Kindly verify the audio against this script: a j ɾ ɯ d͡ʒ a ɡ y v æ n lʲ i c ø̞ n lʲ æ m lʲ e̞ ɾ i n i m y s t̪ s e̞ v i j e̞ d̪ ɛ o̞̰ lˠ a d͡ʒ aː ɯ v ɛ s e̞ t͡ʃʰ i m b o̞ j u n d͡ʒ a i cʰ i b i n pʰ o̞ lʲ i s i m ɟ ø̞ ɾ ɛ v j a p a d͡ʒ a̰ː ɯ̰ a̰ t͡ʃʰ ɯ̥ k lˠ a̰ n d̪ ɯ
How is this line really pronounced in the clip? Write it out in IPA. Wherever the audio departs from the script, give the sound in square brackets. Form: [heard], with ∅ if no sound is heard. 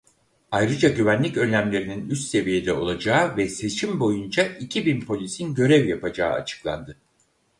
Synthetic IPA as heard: a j ɾ ɯ d͡ʒ a [ɟ] y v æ n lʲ i c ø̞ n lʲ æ m lʲ e̞ ɾ i n i [n] y s t̪ s e̞ v i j e̞ d̪ ɛ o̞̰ lˠ a d͡ʒ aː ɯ v ɛ s e̞ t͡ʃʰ i m b o̞ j u n d͡ʒ a i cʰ i b i n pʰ o̞ lʲ i s i [n] ɟ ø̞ ɾ ɛ v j a p a d͡ʒ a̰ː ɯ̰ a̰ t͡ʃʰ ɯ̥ k lˠ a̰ n d̪ ɯ